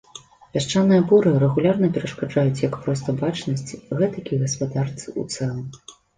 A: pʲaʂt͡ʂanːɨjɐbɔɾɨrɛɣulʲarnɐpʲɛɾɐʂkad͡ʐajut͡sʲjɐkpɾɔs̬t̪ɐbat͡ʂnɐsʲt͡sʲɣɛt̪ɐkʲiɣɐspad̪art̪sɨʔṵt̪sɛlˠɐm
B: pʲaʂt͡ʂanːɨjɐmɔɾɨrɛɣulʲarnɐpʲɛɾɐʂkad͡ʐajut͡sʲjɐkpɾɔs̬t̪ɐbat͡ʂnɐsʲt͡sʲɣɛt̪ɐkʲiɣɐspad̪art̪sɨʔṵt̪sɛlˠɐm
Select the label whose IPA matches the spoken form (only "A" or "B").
A